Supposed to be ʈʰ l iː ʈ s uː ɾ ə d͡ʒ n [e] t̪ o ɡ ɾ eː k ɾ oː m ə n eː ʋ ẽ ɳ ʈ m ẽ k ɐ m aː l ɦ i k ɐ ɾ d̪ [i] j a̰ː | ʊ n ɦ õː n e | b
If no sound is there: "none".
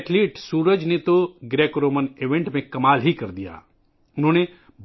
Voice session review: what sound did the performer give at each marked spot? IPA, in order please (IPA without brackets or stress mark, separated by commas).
e, i